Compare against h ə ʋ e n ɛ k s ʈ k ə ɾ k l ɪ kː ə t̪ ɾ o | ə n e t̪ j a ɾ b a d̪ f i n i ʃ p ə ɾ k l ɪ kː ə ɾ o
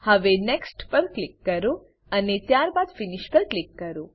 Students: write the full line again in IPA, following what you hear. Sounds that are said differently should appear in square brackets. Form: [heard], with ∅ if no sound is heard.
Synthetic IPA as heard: h ə ʋ e n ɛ k s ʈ [p] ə ɾ k l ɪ kː ə [∅] ɾ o | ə n e t̪ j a ɾ b a d̪ f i n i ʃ p ə ɾ k l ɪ kː ə ɾ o